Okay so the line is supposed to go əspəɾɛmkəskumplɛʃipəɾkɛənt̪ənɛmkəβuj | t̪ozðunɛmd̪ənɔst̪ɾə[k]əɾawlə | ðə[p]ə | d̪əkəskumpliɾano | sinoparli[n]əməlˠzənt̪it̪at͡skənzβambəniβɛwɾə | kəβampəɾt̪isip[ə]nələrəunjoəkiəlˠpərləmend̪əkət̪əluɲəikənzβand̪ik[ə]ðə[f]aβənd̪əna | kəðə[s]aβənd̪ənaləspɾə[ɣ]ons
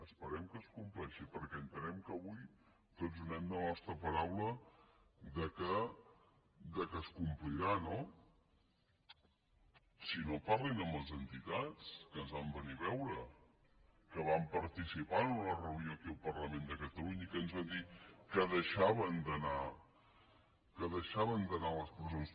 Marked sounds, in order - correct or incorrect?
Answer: incorrect: p, incorrect: k, correct, incorrect: a, correct, incorrect: ʃ, incorrect: ʃ, incorrect: z

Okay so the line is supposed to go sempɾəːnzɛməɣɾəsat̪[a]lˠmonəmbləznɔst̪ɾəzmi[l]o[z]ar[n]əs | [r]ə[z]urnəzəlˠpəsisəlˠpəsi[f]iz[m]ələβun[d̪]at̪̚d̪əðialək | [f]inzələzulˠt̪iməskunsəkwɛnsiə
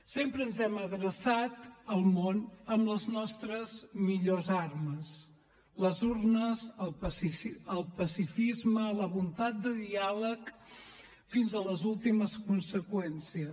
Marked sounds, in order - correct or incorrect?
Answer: incorrect: ə, incorrect: ʎ, correct, incorrect: m, incorrect: l, correct, correct, correct, incorrect: t̪, correct

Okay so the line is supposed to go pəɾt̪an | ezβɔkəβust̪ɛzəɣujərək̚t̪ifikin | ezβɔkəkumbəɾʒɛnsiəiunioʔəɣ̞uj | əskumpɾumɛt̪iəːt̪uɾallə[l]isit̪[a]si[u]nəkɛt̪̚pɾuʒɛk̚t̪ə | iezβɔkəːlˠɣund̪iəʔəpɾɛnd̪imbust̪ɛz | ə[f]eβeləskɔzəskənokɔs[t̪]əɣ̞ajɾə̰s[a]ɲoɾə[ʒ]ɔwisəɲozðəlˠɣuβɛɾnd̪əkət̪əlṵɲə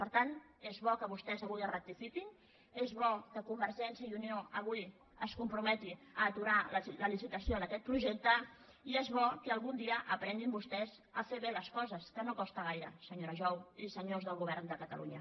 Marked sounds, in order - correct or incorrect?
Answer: correct, incorrect: ə, incorrect: o, correct, correct, incorrect: ə, correct

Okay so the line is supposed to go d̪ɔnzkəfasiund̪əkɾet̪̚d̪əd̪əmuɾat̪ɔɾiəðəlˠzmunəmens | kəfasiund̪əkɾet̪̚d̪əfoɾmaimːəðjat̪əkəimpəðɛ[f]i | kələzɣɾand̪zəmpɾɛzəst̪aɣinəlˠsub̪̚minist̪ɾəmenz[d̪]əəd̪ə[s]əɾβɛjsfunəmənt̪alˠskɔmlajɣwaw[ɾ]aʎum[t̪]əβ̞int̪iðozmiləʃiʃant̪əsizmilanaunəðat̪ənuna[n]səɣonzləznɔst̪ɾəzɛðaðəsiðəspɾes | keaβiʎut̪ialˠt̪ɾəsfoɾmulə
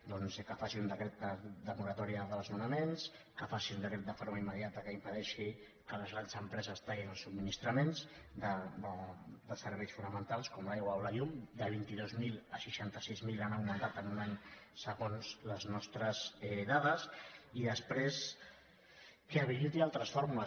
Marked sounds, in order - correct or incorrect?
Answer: incorrect: ʃ, correct, correct, incorrect: l, incorrect: d̪, incorrect: ɲ

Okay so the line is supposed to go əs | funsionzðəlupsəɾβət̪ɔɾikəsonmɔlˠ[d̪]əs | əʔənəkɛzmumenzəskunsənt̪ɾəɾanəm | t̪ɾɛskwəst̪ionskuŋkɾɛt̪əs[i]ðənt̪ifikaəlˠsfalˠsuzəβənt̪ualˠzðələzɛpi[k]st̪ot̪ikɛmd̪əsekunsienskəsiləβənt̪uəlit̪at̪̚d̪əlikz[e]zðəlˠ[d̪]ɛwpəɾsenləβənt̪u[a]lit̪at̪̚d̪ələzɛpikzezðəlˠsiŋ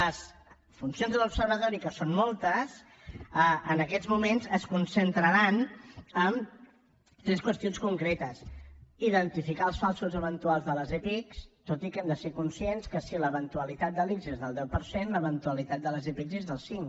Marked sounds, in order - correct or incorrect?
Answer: incorrect: t̪, correct, correct, correct, correct, incorrect: ə

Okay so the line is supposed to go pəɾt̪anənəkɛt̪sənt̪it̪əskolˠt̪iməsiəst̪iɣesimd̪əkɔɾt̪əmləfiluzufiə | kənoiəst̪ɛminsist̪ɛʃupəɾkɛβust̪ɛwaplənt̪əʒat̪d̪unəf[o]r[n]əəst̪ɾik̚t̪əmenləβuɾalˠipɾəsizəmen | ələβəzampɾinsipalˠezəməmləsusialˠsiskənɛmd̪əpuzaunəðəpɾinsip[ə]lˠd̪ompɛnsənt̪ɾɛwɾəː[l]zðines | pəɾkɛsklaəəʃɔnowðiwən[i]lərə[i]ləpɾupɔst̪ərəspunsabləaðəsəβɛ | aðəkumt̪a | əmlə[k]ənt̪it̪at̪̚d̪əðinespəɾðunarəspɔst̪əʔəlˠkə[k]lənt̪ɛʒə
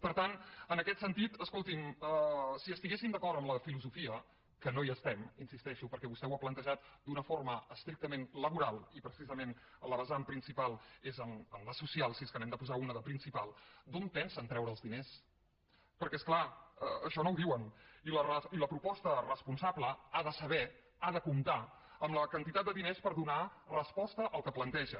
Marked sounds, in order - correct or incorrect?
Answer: correct, incorrect: m, incorrect: a, correct, correct, correct, correct, incorrect: p

